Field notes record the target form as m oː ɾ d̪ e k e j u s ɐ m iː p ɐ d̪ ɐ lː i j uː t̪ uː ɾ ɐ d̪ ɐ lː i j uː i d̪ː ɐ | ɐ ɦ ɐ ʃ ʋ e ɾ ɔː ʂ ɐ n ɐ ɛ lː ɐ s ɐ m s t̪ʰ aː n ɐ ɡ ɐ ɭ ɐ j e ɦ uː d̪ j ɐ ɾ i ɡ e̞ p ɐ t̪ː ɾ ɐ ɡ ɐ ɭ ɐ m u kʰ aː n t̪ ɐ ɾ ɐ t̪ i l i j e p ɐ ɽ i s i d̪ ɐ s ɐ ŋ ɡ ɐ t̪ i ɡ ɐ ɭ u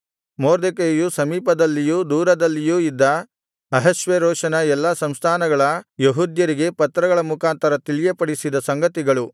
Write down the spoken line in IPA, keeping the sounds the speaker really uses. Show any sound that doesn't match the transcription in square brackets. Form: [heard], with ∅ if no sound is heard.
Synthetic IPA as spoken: m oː ɾ d̪ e k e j u s ɐ m iː p ɐ d̪ ɐ lː i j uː [d̪] uː ɾ ɐ d̪ ɐ lː i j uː i d̪ː ɐ | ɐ ɦ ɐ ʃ ʋ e ɾ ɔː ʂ ɐ n ɐ ɛ lː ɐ s ɐ m s t̪ʰ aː n ɐ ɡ ɐ ɭ ɐ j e ɦ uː d̪ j ɐ ɾ i ɡ e̞ p ɐ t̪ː ɾ ɐ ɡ ɐ ɭ ɐ m u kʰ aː n t̪ ɐ ɾ ɐ t̪ i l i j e p ɐ ɽ i s i d̪ ɐ s ɐ ŋ ɡ ɐ t̪ i ɡ ɐ ɭ u